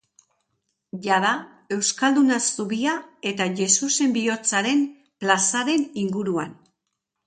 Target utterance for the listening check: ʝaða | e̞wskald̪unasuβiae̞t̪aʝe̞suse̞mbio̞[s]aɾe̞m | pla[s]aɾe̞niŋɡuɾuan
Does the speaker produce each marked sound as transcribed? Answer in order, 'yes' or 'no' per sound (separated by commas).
no, yes